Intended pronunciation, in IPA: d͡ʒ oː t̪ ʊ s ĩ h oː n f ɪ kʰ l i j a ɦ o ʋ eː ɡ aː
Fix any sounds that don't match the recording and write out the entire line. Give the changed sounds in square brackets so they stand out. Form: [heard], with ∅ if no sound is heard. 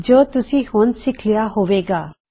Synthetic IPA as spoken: d͡ʒ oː t̪ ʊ s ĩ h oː n [s] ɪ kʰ l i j a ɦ o ʋ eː ɡ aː